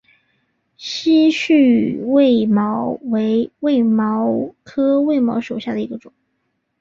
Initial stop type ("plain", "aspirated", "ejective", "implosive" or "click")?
aspirated